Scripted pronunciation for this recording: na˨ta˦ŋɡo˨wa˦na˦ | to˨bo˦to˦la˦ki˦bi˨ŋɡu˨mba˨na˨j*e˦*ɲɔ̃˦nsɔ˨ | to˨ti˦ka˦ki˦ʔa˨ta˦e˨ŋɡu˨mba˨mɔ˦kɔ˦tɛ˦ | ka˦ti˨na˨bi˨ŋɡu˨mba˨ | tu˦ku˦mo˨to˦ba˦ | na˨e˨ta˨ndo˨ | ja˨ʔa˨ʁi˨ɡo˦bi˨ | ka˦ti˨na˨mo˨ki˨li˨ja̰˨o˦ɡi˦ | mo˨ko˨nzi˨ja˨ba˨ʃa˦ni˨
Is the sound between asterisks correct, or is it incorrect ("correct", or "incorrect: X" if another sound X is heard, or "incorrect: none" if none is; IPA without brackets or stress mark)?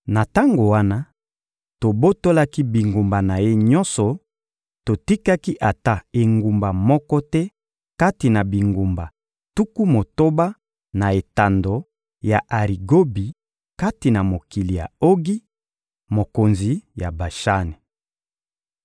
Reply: correct